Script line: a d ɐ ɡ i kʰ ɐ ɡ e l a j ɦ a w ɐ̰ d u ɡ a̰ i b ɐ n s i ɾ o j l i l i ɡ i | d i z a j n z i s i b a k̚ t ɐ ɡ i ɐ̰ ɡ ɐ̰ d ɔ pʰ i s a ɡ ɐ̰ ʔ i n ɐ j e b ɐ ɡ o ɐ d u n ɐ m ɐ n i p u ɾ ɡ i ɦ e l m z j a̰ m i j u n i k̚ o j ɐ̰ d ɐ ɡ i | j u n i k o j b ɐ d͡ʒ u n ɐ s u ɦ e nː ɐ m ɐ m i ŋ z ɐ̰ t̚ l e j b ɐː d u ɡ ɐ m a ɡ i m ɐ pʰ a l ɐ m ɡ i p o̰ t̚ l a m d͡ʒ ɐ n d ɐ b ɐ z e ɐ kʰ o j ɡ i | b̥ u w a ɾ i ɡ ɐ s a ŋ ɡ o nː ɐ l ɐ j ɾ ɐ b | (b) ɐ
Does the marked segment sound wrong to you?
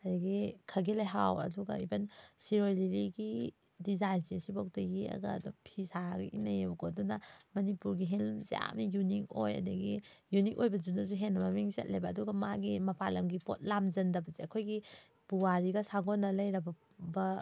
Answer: no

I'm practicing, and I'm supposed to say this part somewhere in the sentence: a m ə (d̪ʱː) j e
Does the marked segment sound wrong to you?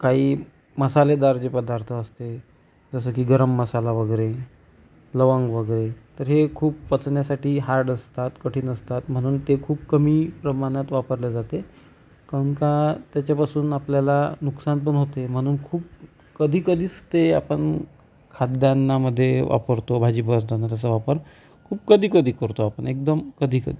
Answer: no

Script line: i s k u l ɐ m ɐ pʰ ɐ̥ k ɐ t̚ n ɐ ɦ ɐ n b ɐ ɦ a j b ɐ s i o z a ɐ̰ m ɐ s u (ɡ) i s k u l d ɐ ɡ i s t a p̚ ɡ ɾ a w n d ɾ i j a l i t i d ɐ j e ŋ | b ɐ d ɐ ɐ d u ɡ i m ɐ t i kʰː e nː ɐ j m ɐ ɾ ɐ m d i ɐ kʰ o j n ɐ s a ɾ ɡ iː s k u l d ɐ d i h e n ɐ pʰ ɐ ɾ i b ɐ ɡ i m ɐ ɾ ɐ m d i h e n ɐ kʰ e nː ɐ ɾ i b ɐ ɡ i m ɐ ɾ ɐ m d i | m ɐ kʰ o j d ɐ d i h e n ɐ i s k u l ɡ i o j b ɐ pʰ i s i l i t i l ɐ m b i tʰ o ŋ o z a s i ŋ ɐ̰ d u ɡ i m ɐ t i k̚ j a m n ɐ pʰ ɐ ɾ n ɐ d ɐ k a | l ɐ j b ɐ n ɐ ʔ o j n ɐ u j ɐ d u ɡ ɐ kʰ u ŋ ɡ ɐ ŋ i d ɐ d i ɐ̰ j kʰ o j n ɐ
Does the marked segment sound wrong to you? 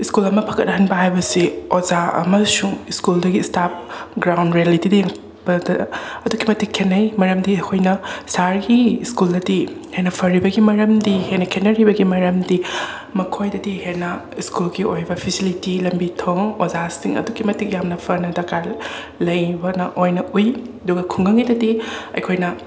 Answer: yes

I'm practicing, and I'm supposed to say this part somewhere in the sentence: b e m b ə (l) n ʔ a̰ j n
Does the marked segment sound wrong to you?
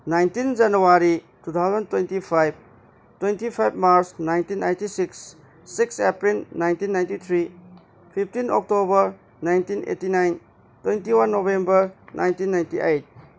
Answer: yes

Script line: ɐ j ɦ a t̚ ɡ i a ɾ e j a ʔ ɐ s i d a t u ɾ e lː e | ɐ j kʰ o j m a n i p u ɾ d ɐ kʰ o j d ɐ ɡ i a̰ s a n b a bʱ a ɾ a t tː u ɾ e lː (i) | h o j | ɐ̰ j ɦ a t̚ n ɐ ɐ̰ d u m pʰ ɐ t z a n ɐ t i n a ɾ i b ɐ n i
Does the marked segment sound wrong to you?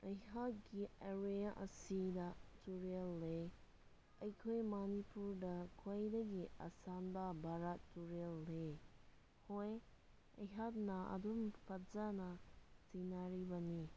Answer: yes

